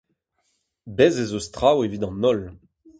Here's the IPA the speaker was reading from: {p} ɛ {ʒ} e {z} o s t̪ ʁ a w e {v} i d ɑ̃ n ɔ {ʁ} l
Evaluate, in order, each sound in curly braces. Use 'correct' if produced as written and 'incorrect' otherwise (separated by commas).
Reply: incorrect, incorrect, correct, correct, incorrect